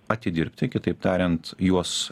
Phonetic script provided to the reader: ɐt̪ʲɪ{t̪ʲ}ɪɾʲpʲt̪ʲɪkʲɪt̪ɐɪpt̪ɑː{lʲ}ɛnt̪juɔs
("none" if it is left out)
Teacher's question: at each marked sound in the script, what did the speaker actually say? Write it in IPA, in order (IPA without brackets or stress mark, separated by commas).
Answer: d̪ʲ, ɾʲ